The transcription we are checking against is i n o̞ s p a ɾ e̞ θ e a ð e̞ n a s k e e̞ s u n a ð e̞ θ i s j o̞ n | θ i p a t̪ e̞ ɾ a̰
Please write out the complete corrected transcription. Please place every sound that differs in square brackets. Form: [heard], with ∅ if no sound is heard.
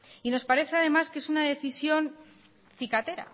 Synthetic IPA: i n o̞ s p a ɾ e̞ θ e a ð e̞ [m] a s k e e̞ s u n a ð e̞ θ i s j o̞ n | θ i [k] a t̪ e̞ ɾ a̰